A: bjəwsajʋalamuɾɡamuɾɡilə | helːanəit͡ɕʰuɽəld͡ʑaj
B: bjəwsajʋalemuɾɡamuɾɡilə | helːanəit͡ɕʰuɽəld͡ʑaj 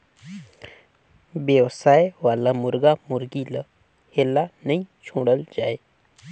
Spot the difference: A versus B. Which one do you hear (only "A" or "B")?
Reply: A